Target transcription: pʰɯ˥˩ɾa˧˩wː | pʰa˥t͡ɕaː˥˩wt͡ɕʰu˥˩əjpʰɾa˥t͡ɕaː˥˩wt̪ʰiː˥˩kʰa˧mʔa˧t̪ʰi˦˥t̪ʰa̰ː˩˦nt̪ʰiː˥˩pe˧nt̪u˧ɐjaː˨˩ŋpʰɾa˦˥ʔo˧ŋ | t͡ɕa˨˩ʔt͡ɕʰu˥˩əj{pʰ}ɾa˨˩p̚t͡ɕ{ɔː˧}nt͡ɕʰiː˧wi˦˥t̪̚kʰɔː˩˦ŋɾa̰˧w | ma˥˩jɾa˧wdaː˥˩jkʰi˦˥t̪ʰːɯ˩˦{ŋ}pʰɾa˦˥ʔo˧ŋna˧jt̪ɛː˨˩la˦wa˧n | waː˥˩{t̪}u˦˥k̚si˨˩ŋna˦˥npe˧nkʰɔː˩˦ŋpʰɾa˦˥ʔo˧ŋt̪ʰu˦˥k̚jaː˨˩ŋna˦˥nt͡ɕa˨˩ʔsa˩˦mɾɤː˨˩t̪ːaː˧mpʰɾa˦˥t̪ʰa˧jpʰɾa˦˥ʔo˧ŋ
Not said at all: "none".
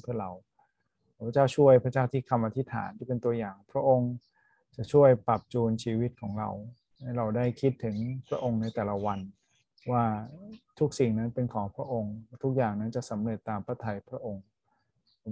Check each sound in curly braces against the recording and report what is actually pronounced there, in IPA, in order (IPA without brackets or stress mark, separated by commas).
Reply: p, uː˧, ŋ, t̪ʰ